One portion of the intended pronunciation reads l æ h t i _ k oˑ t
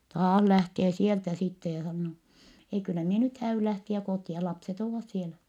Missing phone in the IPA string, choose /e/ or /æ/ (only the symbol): æ